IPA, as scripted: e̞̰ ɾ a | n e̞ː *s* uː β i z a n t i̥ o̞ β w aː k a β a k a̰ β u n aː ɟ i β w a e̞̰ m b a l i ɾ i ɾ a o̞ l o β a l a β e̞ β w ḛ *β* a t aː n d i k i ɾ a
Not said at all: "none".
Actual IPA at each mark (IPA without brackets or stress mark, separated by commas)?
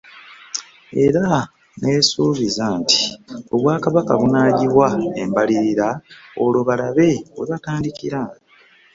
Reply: s, β